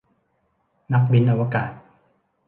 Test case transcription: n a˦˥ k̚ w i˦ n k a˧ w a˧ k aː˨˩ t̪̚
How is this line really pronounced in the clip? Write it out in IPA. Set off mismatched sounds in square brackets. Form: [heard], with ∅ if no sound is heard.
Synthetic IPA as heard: n a˦˥ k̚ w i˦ n [ʔ] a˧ w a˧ k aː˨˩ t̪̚